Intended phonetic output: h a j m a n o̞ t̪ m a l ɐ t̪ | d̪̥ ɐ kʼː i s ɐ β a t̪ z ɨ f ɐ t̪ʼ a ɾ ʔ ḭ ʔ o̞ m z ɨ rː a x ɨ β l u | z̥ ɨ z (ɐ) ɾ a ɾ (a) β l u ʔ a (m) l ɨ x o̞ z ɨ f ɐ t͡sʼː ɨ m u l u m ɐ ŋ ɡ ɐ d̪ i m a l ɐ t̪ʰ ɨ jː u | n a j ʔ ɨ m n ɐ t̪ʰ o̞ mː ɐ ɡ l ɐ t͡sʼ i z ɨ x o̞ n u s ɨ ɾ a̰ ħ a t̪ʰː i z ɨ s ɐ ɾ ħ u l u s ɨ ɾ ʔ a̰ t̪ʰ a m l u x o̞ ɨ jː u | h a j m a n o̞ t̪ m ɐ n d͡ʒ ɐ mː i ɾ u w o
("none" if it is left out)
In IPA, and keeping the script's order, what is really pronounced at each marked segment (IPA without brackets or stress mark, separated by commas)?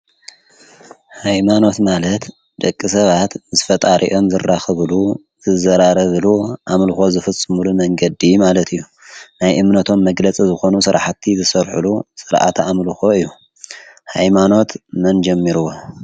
ɐ, ɐ, m